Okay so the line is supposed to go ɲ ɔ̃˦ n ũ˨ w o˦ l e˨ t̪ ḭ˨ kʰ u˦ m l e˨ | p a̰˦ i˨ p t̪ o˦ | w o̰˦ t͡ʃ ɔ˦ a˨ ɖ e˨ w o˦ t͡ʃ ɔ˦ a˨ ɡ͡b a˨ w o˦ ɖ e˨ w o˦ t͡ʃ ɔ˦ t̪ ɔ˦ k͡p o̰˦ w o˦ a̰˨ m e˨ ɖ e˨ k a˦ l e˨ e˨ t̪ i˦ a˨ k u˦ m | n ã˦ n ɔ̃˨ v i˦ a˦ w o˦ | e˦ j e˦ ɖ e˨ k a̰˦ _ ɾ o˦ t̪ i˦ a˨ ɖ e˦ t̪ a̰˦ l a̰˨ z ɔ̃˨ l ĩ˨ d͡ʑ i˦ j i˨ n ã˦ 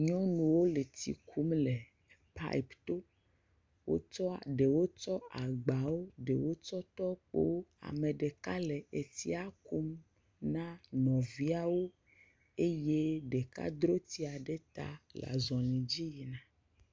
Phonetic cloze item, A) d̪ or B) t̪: A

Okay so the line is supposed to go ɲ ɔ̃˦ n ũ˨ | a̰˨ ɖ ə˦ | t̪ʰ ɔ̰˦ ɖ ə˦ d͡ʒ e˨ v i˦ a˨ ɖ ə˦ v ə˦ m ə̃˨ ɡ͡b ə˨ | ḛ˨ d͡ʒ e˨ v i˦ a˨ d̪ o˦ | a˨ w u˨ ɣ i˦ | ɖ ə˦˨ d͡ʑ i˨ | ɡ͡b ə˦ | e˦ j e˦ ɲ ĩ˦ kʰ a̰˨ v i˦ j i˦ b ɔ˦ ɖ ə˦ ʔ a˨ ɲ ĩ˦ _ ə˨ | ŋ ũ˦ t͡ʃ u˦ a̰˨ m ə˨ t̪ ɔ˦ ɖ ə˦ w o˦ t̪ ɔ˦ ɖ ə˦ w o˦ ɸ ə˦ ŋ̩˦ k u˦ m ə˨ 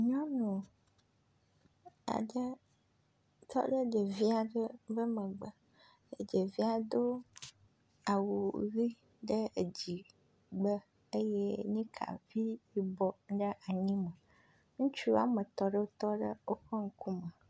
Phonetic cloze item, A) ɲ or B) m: B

